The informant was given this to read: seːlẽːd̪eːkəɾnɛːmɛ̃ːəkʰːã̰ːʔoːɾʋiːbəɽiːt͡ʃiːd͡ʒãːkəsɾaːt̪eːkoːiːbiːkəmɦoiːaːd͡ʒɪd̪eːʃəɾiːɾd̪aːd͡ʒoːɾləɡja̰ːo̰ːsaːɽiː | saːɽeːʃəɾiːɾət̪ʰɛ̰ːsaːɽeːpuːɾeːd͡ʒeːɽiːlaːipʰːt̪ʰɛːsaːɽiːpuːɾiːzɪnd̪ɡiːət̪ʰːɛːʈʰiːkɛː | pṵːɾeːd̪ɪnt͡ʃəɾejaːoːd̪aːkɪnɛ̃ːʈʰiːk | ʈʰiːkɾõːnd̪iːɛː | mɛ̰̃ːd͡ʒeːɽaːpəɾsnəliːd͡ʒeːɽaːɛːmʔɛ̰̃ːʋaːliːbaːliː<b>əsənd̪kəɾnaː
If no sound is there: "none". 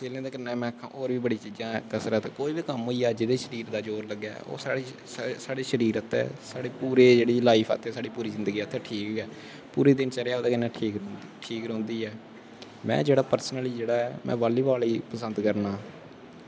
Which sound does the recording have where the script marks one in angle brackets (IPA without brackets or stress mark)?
p